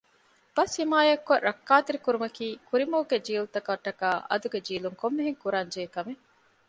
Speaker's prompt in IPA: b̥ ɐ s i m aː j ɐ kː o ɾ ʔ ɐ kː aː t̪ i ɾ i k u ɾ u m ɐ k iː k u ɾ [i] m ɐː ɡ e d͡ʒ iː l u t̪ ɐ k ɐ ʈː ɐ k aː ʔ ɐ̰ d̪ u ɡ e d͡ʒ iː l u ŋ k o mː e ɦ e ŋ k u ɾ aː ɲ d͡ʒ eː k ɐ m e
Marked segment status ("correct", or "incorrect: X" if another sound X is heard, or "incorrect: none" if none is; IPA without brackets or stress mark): correct